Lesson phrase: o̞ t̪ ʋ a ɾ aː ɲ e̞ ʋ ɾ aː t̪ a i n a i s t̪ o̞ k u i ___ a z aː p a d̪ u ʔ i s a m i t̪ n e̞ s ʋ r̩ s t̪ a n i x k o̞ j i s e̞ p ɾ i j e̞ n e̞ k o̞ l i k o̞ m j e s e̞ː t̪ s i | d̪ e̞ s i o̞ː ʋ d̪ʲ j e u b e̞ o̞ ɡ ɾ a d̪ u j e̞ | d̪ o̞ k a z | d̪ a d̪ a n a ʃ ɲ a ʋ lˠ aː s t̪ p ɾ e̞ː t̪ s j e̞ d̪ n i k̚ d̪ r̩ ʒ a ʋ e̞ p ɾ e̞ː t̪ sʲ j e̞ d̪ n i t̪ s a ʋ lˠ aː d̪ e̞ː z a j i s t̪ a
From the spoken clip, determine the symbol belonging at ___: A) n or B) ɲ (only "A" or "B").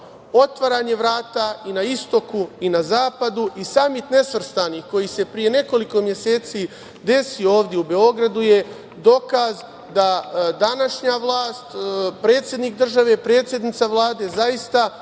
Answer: A